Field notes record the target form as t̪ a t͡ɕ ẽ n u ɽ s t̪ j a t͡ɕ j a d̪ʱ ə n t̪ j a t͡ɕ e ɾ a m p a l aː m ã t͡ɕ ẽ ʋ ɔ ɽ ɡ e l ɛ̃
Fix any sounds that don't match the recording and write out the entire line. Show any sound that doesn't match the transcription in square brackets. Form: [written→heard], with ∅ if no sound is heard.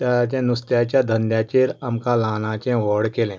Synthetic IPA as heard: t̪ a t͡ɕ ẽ n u [ɽ→∅] s t̪ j a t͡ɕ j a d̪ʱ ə n [t̪→d̪] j a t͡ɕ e ɾ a m [p→k] a l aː [m→n] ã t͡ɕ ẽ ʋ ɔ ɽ [ɡ→k] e l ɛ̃